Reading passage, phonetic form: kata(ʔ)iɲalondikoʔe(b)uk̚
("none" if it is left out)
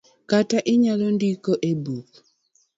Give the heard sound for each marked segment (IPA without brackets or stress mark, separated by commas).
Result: ʔ, b